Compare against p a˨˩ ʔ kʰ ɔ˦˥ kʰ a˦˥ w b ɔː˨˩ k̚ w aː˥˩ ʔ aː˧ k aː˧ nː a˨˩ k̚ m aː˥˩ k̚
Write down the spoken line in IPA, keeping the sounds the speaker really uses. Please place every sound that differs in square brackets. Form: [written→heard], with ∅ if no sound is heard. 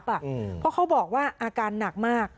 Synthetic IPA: p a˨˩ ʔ [kʰ→pʰ] ɔ˦˥ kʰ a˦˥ w b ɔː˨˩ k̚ w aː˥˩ ʔ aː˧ k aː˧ nː a˨˩ k̚ m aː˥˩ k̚